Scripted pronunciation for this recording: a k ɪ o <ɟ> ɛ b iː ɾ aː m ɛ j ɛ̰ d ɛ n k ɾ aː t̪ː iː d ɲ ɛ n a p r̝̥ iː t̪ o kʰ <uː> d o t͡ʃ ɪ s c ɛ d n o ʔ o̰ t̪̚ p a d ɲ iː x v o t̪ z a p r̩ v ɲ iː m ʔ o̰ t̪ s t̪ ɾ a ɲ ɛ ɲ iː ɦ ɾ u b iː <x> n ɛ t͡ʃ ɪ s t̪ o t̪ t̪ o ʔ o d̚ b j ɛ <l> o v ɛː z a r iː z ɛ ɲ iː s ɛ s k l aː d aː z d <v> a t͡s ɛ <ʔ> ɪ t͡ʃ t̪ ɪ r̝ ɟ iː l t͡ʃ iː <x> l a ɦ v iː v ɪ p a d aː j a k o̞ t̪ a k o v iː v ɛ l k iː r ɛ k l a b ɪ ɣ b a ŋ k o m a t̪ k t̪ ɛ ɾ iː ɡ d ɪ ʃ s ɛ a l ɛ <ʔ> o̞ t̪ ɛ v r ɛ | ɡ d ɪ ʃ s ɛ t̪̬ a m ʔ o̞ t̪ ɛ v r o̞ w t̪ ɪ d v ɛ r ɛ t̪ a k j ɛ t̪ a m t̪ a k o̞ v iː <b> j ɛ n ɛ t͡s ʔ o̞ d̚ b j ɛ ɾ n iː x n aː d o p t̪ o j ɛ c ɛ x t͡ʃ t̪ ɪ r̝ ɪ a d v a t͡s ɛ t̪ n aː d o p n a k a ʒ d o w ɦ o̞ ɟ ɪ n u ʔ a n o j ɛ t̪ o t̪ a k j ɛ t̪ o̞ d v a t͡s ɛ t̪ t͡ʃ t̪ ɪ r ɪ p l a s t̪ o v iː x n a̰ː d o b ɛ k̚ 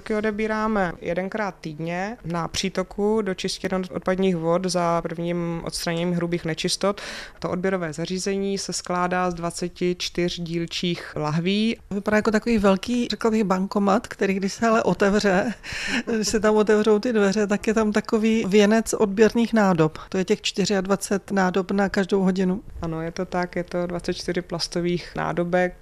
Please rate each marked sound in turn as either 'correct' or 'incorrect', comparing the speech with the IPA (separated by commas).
incorrect, incorrect, correct, incorrect, correct, incorrect, correct, correct, incorrect